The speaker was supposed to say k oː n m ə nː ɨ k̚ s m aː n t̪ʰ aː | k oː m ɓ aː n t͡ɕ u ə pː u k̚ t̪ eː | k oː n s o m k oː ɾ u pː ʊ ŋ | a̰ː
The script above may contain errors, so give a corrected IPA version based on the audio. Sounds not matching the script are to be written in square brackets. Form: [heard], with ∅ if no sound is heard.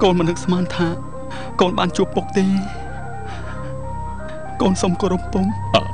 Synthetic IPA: k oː n m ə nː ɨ k̚ s m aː n t̪ʰ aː | k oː [n] ɓ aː n t͡ɕ u ə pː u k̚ t̪ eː | k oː n s o m k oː ɾ u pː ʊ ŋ | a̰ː